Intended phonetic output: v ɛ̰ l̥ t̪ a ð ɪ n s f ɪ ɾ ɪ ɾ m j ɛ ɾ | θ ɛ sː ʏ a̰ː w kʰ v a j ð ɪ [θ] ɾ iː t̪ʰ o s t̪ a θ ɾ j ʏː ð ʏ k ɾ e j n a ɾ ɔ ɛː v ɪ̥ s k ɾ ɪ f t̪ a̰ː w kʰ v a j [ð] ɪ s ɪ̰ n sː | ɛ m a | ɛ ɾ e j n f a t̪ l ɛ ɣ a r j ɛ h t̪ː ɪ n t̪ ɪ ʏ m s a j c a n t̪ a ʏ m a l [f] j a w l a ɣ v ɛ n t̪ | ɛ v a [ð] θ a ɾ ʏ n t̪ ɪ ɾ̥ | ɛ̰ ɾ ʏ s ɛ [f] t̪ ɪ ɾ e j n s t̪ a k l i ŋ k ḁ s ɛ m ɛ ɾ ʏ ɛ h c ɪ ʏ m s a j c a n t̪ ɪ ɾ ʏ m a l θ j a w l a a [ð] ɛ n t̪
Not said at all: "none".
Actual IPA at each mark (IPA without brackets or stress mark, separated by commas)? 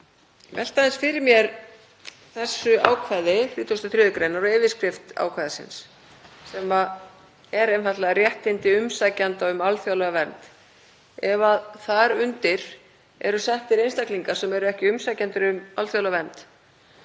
θ, ð, θ, ð, h, v